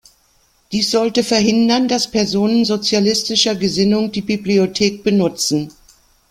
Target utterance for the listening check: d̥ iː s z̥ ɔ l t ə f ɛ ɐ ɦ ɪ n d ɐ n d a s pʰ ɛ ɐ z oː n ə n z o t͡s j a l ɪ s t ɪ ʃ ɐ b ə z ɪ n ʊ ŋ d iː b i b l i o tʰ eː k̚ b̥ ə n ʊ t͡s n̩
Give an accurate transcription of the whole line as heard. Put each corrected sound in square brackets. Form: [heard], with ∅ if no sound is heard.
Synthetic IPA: d̥ iː s z̥ ɔ l t ə f ɛ ɐ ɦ ɪ n d ɐ n d a s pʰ ɛ ɐ z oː n ə n z o t͡s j a l ɪ s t ɪ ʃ ɐ [ɡ] ə z ɪ n ʊ ŋ d iː b i b l i o tʰ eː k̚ b̥ ə n ʊ t͡s n̩